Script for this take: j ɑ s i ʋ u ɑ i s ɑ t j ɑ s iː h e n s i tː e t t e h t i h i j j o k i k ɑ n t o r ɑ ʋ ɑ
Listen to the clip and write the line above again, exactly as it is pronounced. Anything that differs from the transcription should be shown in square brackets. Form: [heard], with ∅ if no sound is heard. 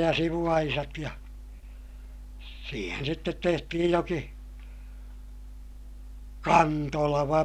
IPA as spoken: j ɑ s i ʋ u ɑ i s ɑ t j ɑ s iː h e n s i tː e t t e h t i h i j j o k i k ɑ n t o [l] ɑ ʋ ɑ